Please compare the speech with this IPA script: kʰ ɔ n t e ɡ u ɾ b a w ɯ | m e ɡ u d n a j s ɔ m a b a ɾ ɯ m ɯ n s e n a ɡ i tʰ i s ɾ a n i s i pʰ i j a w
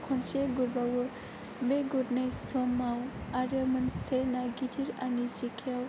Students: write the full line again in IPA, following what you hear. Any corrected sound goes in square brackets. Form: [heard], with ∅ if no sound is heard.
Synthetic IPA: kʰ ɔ n [s] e ɡ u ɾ b a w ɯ | [b] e ɡ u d n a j s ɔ m a [w] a ɾ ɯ m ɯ n s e n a ɡ i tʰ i [∅] ɾ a n i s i [kʰ] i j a w